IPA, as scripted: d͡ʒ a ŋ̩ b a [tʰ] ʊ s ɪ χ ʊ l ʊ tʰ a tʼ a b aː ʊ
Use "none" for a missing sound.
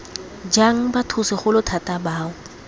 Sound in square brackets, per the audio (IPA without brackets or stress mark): tʰ